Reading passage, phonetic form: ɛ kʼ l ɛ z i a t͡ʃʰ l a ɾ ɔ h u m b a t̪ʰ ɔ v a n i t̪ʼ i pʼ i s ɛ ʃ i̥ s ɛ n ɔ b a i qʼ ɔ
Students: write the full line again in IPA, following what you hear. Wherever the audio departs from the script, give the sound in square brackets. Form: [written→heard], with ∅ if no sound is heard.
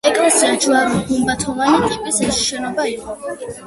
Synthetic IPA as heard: ɛ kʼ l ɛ [z→s] i a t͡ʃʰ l a ɾ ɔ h u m b a t̪ʰ ɔ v a n i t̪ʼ i pʼ i s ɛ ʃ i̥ [s→ʃ] ɛ n ɔ b a i qʼ ɔ

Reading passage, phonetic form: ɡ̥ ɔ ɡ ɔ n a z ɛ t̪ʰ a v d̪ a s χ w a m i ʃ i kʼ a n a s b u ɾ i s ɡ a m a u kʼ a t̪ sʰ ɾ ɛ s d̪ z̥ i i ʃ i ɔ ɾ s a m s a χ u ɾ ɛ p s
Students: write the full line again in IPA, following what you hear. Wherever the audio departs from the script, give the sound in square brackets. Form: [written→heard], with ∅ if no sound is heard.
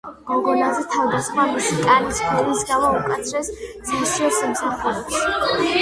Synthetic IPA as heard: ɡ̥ ɔ ɡ ɔ n a z ɛ t̪ʰ a v d̪ a s χ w a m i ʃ i kʼ a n [a→i] s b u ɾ i s ɡ a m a u kʼ a t̪ sʰ ɾ ɛ s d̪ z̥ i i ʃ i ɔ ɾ s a m s a χ u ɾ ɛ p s

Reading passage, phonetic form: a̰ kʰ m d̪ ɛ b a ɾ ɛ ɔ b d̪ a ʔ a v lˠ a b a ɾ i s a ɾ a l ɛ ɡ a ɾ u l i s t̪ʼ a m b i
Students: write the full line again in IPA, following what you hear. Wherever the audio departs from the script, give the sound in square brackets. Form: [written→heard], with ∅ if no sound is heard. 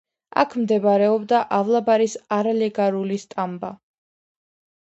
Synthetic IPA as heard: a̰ kʰ m d̪ ɛ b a ɾ ɛ ɔ b d̪ a ʔ a v lˠ a b a ɾ i s a ɾ a l ɛ ɡ a ɾ u l i s t̪ʼ a m b [i→a]

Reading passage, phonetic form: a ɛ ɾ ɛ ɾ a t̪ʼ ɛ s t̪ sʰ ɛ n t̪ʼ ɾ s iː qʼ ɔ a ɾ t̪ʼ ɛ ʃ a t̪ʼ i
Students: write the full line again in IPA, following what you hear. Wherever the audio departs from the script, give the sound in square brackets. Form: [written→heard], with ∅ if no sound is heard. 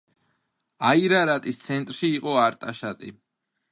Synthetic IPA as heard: a [ɛ→i] ɾ [ɛ→a] ɾ a t̪ʼ [ɛ→i] s t̪ sʰ ɛ n t̪ʼ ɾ [s→ʃ] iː qʼ ɔ a ɾ t̪ʼ [ɛ→a] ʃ a t̪ʼ i

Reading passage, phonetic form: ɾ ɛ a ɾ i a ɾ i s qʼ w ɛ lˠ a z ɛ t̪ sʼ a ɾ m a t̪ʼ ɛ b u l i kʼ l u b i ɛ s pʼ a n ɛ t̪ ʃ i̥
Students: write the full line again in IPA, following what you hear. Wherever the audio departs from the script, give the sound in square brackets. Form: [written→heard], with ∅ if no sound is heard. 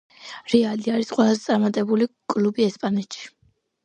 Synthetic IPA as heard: ɾ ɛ a [ɾ→l] i a ɾ i s qʼ w ɛ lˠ a z ɛ t̪ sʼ a ɾ m a t̪ʼ ɛ b u l i kʼ l u b i ɛ s pʼ a n ɛ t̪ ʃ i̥

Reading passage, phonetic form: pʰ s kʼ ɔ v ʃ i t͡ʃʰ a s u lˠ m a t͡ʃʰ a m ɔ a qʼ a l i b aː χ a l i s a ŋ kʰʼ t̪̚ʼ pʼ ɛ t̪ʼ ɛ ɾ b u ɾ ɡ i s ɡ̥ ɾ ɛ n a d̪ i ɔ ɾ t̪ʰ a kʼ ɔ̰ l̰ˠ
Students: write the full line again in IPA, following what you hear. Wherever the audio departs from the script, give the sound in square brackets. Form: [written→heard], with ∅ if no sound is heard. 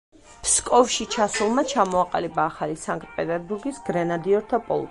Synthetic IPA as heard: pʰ s kʼ ɔ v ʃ i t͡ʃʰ a s u lˠ m a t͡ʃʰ a m ɔ a qʼ a l i b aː χ a l i s a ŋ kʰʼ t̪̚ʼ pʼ ɛ t̪ʼ ɛ ɾ b u ɾ ɡ i s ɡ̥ ɾ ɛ n a d̪ i ɔ ɾ t̪ʰ a [kʼ→pʼ] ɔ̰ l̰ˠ

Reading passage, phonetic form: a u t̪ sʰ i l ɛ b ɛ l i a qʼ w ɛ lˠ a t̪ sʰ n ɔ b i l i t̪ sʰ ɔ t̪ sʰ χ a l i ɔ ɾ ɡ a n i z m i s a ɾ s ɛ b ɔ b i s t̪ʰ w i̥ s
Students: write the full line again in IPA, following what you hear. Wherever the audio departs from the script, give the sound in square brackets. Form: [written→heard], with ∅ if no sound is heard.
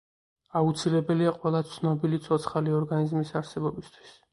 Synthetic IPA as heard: a u t̪ sʰ i l ɛ b ɛ l i a qʼ w ɛ lˠ a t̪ sʰ n ɔ b i l i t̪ sʰ ɔ t̪ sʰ χ a l i ɔ ɾ ɡ a n i z m i s a ɾ s ɛ b ɔ b i s t̪ʰ w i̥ s

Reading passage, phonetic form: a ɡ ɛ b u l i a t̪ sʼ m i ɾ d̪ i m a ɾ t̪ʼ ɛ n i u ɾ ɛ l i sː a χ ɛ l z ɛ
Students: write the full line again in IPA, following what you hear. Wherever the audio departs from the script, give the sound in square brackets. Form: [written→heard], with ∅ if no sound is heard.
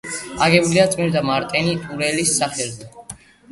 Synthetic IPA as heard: a ɡ ɛ b u l i a t̪ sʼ m i ɾ d̪ [i→a] m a ɾ t̪ʼ ɛ n i u ɾ ɛ l i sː a χ ɛ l z ɛ

